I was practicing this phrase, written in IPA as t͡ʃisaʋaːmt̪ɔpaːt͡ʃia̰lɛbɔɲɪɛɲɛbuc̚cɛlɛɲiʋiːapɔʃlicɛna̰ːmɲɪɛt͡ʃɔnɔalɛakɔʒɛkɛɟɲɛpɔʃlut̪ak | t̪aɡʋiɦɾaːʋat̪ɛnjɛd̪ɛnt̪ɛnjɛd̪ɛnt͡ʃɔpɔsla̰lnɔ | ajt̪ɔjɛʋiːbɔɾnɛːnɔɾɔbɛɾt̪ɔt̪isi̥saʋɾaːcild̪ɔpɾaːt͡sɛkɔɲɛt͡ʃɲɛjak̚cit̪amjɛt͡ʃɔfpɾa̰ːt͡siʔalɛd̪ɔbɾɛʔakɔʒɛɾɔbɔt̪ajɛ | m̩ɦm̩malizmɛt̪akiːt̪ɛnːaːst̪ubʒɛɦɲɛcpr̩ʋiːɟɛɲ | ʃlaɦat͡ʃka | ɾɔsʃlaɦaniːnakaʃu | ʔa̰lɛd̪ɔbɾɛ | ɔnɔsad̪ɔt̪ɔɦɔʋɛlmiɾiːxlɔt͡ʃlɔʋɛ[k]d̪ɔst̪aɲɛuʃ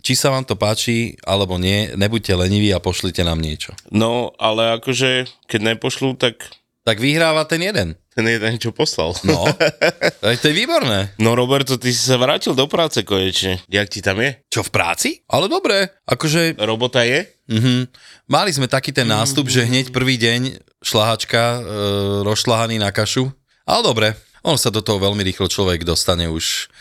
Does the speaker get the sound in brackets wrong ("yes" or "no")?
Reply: yes